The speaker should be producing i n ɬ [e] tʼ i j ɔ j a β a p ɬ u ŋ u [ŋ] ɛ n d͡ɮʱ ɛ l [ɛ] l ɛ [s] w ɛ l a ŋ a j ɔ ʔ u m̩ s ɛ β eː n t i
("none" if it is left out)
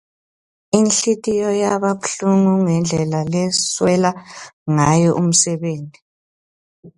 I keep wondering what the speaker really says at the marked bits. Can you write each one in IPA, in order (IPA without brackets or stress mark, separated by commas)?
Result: i, ŋ, a, s